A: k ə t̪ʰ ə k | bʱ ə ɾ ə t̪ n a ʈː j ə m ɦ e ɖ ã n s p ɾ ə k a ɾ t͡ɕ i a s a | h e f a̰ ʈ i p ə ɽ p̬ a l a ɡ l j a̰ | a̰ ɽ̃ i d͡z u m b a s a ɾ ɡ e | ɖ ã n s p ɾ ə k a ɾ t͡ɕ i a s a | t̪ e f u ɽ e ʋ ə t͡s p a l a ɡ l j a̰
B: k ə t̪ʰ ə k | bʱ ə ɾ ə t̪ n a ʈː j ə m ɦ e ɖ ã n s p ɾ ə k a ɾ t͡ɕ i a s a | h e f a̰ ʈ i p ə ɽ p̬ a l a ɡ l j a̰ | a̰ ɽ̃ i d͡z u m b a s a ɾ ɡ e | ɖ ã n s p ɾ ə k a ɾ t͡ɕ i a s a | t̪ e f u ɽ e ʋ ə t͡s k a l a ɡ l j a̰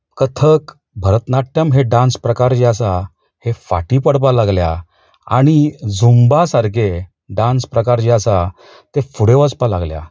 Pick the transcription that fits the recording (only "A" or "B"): A